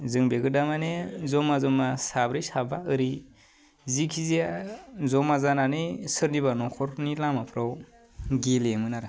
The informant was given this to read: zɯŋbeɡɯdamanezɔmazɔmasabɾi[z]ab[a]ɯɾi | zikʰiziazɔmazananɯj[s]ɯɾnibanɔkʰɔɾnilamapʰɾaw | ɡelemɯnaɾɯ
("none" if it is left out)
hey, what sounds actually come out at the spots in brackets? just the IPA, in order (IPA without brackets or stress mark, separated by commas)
s, a, s